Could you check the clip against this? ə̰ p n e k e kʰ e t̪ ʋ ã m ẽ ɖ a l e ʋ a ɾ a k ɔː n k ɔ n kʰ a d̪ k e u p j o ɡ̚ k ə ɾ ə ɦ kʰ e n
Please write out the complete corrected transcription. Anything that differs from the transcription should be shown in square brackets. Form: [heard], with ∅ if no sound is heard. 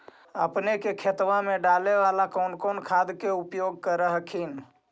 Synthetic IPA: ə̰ p n e k e kʰ e t̪ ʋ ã m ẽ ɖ a l e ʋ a [l] a k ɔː n k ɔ n kʰ a d̪ k e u p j o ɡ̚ k ə ɾ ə ɦ kʰ [i] n